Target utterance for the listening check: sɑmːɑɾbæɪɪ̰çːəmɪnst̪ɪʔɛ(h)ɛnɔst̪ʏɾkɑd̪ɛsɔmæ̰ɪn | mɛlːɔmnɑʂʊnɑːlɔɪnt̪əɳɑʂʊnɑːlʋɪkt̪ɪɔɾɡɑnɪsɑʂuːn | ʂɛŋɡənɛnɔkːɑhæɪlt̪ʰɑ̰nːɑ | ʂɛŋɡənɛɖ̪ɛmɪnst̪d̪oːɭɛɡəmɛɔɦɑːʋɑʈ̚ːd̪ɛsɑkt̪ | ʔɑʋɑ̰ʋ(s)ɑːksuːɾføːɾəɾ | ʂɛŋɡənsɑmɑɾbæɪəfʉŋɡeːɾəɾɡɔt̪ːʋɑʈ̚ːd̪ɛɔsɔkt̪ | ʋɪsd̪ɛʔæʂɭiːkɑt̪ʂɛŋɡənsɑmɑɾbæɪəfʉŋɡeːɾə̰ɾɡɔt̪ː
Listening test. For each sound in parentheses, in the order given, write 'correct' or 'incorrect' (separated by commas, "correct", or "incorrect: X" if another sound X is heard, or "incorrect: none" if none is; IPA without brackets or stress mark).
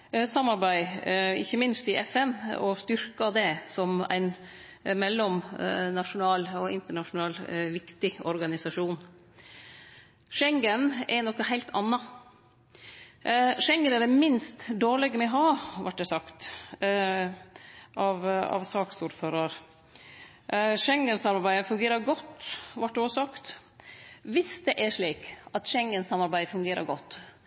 incorrect: f, correct